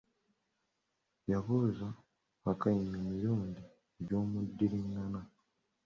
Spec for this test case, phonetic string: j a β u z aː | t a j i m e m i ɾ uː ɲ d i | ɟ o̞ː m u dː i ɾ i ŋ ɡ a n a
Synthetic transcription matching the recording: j a β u z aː | k a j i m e m i ɾ uː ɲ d i | ɟ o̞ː m u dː i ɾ i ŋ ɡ a n a

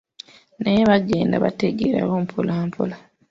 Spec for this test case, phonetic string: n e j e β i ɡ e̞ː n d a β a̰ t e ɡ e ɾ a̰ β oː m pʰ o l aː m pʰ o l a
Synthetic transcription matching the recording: n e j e β a ɡ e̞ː n d a β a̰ t e ɡ e ɾ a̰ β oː m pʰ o l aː m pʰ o l a

